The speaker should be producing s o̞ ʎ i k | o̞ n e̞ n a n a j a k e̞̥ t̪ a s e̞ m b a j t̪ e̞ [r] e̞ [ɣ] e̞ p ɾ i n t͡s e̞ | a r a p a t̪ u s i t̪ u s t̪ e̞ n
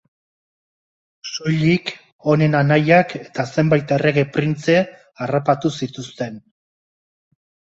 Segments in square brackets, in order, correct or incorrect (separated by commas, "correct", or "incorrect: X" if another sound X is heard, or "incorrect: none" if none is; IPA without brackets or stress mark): correct, correct